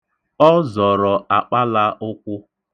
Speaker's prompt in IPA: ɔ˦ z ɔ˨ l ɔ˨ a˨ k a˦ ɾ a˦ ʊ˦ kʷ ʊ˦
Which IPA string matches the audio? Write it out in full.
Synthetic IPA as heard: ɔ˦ z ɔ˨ ɾ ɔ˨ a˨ k͡p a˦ l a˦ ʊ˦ kʷ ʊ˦